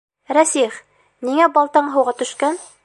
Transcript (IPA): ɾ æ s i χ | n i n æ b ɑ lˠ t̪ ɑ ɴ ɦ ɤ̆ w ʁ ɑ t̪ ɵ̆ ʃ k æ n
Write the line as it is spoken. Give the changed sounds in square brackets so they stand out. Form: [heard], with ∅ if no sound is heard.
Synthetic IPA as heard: ɾ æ s i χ | n i [ŋ] æ b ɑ lˠ t̪ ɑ ɴ ɦ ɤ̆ w ʁ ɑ t̪ ɵ̆ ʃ k æ n